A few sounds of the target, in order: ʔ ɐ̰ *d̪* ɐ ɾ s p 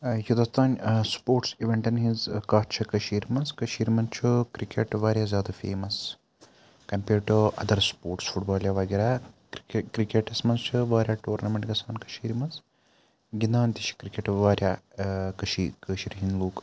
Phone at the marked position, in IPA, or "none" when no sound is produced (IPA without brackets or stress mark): d̪